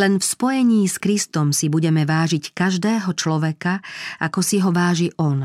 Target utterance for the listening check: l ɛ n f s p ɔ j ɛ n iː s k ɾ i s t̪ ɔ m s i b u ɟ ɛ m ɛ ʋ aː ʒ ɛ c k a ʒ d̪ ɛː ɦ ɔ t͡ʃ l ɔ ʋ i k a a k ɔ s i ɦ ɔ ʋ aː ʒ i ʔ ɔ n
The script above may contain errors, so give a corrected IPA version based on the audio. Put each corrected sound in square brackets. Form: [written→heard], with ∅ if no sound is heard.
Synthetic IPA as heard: l ɛ n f s p ɔ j ɛ [n→ɲ] iː s k ɾ i s t̪ ɔ m s i b u ɟ ɛ m ɛ ʋ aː ʒ [ɛ→i] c k a ʒ d̪ ɛː ɦ ɔ t͡ʃ l ɔ ʋ [i→ɛ] k a a k ɔ s i ɦ ɔ ʋ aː ʒ i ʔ ɔ n